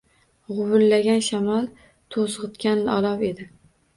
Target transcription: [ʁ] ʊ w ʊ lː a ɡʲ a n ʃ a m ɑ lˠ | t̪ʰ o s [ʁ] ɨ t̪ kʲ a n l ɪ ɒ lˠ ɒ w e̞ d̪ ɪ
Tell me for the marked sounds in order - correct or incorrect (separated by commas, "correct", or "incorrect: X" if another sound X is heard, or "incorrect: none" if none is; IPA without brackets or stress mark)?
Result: correct, correct